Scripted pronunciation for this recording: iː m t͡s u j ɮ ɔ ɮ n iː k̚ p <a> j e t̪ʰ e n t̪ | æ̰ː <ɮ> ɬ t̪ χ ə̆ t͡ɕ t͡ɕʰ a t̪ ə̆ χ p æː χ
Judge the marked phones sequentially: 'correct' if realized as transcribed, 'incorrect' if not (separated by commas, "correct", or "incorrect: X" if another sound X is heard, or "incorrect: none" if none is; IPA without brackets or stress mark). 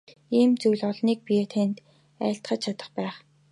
incorrect: i, incorrect: none